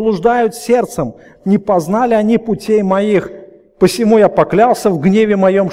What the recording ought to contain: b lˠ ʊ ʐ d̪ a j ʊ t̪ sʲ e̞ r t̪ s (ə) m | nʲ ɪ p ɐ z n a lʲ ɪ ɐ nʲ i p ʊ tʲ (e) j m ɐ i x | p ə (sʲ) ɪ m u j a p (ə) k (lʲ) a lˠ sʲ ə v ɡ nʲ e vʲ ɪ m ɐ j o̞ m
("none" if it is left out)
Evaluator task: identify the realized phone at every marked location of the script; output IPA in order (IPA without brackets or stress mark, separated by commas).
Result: ə, e, sʲ, ɐ, lʲ